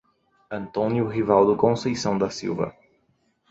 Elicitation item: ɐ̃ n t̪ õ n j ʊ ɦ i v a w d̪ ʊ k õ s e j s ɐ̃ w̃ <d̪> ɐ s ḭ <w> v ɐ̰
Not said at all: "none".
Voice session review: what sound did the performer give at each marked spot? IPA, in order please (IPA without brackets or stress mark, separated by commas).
d̪, w